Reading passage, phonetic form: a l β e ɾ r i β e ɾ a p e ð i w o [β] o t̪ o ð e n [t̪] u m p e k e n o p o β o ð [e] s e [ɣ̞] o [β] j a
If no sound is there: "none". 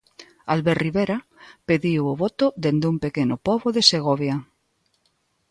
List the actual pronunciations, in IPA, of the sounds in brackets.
β, d̪, e, ɣ̞, β

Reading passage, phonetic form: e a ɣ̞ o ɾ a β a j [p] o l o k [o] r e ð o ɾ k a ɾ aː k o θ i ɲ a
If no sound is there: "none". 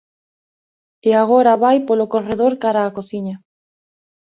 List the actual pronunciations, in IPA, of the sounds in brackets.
p, o

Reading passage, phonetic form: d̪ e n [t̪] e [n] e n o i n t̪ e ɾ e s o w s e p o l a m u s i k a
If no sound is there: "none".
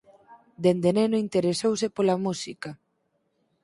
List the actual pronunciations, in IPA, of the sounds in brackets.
d̪, n

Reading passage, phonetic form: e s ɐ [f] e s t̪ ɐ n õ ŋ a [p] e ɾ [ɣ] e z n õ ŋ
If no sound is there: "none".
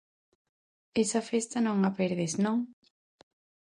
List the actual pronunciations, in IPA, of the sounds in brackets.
f, p, ð

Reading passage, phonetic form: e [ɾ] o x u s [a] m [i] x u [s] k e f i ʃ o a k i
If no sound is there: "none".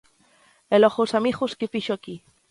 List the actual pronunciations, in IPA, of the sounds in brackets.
l, a, i, s

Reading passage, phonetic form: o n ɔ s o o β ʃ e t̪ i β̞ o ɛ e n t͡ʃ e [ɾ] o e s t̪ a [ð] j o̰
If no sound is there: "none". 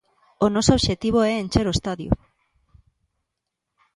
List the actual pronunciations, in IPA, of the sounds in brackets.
ɾ, ð

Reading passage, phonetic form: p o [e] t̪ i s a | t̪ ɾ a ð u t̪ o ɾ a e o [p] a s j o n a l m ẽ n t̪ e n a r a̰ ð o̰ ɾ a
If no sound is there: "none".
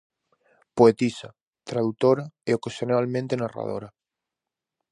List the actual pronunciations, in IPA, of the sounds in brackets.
e, k

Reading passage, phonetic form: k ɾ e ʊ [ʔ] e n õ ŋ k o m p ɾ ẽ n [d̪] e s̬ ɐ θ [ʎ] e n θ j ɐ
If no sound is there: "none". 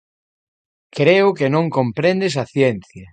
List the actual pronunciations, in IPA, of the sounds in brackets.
k, d̪, j

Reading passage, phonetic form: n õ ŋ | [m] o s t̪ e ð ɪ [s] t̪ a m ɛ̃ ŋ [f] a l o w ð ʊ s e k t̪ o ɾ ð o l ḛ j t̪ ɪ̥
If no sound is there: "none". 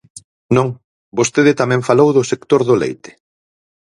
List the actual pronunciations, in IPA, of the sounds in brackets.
b, none, f

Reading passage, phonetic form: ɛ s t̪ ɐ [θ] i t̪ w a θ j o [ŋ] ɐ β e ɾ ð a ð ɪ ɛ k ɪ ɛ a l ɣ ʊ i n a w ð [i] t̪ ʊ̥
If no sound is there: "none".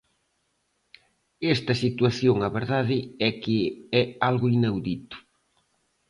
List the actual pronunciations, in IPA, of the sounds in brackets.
s, ŋ, i

